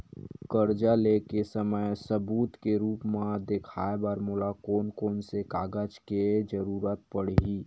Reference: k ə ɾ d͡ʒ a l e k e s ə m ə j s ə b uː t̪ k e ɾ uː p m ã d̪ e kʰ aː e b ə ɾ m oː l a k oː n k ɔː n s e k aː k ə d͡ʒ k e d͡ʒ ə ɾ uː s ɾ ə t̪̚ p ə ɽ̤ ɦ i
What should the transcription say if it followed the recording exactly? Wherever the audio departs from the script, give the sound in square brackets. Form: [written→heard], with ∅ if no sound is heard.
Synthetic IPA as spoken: k ə ɾ d͡ʒ a l e k e s ə m ə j s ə b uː t̪ k e ɾ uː p m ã d̪ e kʰ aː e b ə ɾ m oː l a k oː n k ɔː n s e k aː [k→ɡ] ə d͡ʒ k e d͡ʒ ə ɾ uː [s→∅] ɾ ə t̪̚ p ə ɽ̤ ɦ i